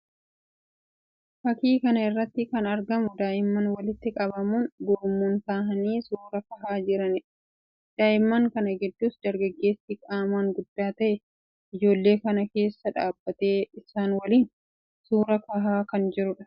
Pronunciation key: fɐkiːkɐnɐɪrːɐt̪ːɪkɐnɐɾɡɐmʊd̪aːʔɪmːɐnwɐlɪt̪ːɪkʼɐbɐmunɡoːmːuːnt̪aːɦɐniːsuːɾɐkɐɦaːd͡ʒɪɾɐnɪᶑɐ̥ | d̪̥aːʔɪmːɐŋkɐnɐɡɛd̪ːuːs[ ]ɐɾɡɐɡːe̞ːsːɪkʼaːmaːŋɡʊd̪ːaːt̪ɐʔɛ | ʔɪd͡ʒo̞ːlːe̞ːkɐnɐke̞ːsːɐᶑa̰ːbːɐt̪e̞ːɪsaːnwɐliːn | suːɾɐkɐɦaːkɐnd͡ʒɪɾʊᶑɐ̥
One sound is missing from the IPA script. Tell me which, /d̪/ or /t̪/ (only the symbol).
d̪